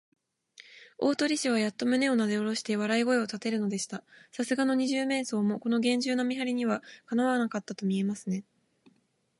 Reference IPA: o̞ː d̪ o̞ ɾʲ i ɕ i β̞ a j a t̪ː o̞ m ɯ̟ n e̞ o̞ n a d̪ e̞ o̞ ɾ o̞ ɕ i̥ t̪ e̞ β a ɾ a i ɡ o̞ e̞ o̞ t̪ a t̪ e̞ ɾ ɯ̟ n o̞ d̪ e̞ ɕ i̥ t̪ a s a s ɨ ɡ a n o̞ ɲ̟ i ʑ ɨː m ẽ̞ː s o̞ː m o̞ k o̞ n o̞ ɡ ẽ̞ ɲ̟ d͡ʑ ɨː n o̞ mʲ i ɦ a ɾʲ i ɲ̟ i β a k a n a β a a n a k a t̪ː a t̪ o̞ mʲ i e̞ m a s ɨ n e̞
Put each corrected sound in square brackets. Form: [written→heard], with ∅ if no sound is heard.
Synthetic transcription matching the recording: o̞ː [d̪→t̪] o̞ ɾʲ i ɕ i β̞ a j a t̪ː o̞ m ɯ̟ n e̞ o̞ n a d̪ e̞ o̞ ɾ o̞ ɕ i̥ t̪ e̞ β a ɾ a i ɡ o̞ e̞ o̞ t̪ a t̪ e̞ ɾ ɯ̟ n o̞ d̪ e̞ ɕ i̥ t̪ a s a s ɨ ɡ a n o̞ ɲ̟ i ʑ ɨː m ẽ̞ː s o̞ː m o̞ k o̞ n o̞ ɡ ẽ̞ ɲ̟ d͡ʑ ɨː n o̞ mʲ i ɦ a ɾʲ i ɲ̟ i β a k a n a β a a n a k a t̪ː a t̪ o̞ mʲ i e̞ m a s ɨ n e̞